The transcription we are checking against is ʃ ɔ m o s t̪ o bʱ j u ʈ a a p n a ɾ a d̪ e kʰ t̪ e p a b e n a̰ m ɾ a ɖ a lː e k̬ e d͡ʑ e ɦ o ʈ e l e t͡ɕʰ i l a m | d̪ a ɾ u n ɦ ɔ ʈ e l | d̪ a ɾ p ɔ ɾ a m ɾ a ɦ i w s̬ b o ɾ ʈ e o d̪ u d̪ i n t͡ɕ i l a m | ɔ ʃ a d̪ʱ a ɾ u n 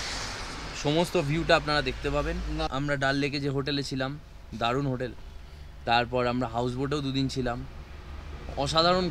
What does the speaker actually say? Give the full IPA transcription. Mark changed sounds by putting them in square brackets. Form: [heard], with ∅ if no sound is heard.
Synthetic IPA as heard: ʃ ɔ m o s t̪ o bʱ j u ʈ a a p n a ɾ a d̪ e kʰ t̪ e p a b e n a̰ m ɾ a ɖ a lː e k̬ e d͡ʑ e ɦ o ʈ e l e t͡ɕʰ i l a m | d̪ a ɾ u n ɦ [o] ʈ e l | [t̪] a ɾ p ɔ ɾ a m ɾ a ɦ [a] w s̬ b o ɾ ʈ e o d̪ u d̪ i n [t͡ɕʰ] i l a m | ɔ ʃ a d̪ʱ a ɾ [o] n